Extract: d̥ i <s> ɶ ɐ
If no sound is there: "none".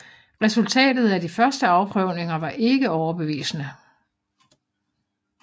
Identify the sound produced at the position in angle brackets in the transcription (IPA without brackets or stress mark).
f